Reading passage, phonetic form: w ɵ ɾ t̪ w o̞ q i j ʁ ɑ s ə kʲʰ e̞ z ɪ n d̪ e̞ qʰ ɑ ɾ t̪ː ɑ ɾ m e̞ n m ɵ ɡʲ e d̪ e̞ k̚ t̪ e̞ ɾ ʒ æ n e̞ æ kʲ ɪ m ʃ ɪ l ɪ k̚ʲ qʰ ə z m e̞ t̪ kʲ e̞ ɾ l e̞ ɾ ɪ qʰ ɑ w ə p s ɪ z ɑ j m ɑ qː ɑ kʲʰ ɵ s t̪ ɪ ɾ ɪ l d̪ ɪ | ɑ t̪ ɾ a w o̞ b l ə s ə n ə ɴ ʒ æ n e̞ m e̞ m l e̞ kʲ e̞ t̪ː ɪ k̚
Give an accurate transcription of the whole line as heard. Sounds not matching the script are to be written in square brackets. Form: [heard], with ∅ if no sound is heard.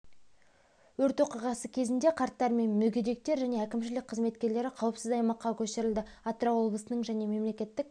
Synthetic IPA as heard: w ɵ ɾ t̪ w o̞ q i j ʁ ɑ s ə kʲʰ e̞ z ɪ n d̪ e̞ qʰ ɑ ɾ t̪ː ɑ ɾ m e̞ n m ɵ ɡʲ e d̪ e̞ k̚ t̪ e̞ ɾ ʒ æ n e̞ æ kʲ ɪ m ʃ ɪ l ɪ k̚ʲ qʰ ə z m e̞ t̪ kʲ e̞ ɾ l e̞ ɾ ɪ qʰ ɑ w ə p s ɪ z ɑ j m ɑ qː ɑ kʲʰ ɵ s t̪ ɪ ɾ ɪ l d̪ ɪ | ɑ t̪ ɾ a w o̞ b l ə s ə n ə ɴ ʒ æ n e̞ m e̞ m l e̞ kʲ e̞ t̪ː ɪ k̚

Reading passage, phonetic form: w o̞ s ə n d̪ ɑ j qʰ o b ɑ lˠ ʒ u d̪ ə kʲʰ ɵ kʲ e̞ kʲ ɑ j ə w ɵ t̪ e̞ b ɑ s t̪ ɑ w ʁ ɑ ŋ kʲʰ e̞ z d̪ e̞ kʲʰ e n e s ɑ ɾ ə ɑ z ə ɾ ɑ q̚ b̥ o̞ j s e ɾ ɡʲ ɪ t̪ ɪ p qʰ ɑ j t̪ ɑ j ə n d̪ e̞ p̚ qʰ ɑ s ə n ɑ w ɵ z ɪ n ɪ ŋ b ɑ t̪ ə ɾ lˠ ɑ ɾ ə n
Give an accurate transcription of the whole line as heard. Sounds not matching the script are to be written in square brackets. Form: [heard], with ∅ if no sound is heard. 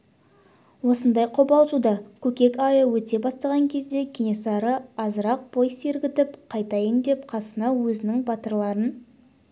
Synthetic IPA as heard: w o̞ s ə n d̪ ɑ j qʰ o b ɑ lˠ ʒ u d̪ [ɑ] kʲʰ ɵ kʲ e̞ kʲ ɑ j ə w ɵ t̪ e̞ b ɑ s t̪ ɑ [∅] ʁ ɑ ŋ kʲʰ e̞ z d̪ e̞ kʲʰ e n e s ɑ ɾ ə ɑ z ə ɾ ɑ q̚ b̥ o̞ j s e ɾ ɡʲ ɪ t̪ ɪ p qʰ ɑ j t̪ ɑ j ə n d̪ e̞ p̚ qʰ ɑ s ə n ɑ w ɵ z ɪ n ɪ ŋ b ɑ t̪ ə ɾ lˠ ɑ ɾ ə n

